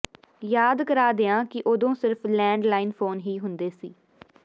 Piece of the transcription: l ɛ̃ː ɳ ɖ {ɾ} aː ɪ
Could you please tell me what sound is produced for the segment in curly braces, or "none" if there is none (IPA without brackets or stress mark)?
l